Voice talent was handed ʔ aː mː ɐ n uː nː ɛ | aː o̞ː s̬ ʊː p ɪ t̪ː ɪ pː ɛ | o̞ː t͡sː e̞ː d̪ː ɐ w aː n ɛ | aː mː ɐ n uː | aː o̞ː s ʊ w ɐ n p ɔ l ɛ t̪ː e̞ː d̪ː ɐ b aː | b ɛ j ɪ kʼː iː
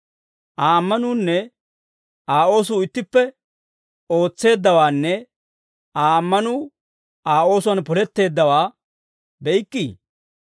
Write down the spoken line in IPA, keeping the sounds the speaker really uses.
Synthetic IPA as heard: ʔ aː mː ɐ n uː nː ɛ | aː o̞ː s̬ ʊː ɪ t̪ː ɪ pː ɛ | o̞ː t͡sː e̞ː d̪ː ɐ w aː nː ɛ | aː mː ɐ n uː | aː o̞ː s ʊ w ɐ n p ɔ l ɛ t̪ː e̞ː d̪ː ɐ w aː | b ɛ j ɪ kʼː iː